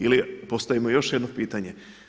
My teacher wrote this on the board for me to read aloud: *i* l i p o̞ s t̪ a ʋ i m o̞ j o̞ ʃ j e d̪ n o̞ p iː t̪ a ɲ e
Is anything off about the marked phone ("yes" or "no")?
no